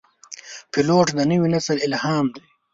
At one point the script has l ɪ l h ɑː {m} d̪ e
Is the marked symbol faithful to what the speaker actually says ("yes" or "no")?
yes